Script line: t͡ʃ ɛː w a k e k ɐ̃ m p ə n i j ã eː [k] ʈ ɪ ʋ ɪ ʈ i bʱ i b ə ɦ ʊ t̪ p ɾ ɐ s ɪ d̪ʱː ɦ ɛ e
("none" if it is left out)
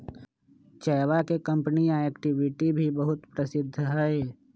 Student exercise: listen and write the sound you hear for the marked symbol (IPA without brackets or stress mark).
k